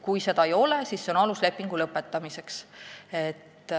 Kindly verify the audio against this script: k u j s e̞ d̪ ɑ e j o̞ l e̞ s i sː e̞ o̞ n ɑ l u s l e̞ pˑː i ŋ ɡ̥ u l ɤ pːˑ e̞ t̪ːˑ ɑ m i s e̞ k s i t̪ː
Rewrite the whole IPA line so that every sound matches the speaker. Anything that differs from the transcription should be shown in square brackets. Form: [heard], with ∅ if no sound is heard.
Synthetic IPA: k u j s e̞ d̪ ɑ e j o̞ l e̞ s i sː e̞ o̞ n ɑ l u s l e̞ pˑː i ŋ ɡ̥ u l ɤ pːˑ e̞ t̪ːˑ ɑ m i s e̞ k s [e] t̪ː